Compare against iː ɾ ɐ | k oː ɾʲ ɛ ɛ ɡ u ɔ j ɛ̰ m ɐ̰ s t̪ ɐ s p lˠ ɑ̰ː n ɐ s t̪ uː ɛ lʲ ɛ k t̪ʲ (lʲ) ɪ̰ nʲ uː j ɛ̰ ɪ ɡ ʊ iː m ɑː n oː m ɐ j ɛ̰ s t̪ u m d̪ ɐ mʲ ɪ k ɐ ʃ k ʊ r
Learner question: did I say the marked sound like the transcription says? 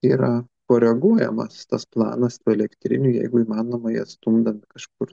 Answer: no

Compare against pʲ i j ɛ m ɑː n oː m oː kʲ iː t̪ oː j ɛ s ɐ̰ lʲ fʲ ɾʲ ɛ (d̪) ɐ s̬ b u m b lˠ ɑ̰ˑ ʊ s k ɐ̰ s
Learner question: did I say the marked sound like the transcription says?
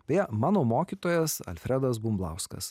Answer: yes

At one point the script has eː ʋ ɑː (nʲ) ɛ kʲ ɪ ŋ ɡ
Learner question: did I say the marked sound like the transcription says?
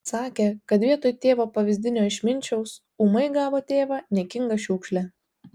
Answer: yes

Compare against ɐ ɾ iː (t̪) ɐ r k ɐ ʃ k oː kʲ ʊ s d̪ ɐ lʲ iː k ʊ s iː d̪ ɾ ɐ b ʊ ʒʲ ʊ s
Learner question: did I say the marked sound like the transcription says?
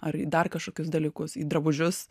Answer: no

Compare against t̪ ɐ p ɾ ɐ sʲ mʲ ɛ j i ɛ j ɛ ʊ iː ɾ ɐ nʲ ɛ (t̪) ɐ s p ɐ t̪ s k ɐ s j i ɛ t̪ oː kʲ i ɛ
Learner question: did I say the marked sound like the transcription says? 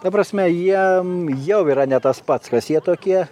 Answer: yes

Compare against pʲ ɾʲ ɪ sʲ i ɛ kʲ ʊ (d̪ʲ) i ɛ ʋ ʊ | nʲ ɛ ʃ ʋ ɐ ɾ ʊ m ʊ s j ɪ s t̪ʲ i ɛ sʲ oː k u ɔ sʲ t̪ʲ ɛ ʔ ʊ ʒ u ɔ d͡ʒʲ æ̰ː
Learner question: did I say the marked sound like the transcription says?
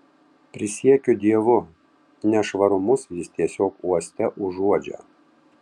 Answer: yes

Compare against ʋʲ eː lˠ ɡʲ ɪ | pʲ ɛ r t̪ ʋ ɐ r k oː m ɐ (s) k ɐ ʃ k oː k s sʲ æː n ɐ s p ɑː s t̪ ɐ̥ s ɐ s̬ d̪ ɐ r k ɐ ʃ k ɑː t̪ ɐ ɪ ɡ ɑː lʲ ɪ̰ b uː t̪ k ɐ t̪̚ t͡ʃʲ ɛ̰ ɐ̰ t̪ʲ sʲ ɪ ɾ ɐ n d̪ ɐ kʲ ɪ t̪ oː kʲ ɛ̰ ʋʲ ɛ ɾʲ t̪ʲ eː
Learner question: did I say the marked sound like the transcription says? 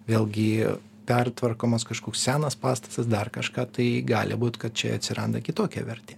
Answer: yes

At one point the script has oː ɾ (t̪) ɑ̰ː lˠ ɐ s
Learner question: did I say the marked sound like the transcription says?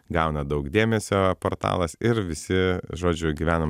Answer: yes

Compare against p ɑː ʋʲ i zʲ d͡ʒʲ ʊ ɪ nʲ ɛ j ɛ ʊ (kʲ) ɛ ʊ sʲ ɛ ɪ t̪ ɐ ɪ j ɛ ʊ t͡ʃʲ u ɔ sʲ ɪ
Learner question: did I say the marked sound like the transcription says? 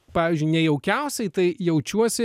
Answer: yes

